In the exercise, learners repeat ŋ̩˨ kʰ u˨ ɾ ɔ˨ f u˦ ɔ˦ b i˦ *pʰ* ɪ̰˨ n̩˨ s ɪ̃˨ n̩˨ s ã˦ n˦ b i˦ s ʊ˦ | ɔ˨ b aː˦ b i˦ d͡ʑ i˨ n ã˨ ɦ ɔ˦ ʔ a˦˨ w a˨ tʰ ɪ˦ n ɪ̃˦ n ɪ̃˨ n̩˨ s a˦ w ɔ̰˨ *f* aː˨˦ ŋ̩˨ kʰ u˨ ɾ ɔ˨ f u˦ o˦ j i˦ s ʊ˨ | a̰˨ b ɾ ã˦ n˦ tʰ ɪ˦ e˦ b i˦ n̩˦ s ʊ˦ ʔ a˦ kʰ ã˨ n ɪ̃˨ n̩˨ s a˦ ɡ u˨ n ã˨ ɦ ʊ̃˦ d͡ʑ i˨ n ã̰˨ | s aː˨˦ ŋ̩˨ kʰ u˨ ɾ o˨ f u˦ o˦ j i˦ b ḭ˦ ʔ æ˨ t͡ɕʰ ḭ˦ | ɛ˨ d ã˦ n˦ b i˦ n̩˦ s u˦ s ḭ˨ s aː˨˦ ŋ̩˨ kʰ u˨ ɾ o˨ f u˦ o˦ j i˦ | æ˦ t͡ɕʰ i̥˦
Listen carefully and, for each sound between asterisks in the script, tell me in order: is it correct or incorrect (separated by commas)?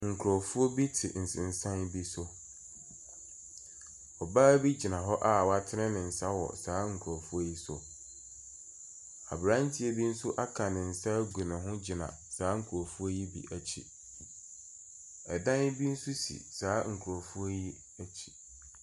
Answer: incorrect, incorrect